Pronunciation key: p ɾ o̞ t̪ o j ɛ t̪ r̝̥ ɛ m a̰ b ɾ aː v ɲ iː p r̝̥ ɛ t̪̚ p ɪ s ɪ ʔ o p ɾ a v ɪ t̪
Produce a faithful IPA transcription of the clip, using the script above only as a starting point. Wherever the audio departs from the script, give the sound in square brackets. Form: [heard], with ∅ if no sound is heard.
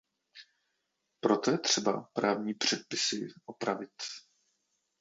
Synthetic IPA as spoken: p ɾ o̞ t̪ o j ɛ t̪ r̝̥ ɛ [b] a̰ [p] ɾ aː v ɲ iː p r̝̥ ɛ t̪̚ p ɪ s ɪ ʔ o p ɾ a v ɪ t̪